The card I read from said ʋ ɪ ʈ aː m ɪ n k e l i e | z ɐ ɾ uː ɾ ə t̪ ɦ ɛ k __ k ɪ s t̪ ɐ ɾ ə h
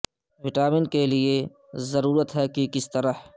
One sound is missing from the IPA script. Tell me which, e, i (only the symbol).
i